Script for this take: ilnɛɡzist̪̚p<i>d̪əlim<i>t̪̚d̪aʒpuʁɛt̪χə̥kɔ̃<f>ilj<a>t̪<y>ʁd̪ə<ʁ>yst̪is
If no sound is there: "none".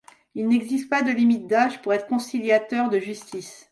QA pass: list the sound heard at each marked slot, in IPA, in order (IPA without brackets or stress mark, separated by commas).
a, i, s, a, œ, ʒ